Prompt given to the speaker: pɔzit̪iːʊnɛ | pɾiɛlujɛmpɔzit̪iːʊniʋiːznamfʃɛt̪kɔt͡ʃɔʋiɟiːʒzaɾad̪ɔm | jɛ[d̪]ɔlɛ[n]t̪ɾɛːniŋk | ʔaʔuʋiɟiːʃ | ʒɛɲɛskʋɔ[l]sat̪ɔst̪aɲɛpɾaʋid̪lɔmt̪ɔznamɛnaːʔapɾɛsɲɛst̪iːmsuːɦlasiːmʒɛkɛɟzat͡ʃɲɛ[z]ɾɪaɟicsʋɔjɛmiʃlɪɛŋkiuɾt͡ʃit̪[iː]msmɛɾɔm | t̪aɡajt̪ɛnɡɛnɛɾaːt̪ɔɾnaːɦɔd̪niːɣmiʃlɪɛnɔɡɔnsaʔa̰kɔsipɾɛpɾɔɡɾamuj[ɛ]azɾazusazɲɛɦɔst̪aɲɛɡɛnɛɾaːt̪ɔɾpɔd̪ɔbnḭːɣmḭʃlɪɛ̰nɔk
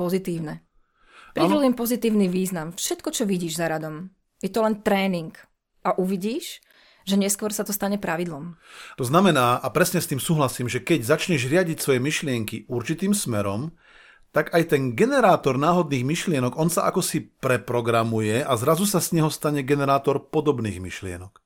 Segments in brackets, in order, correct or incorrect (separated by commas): incorrect, correct, incorrect, incorrect, correct, correct